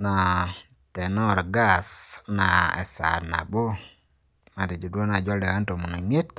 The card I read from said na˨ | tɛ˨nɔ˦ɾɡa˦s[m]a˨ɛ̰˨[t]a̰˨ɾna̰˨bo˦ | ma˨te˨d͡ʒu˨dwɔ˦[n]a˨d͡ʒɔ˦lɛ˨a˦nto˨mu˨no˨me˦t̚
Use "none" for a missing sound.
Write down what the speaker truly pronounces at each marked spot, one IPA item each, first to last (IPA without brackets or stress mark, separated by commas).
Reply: n, s, n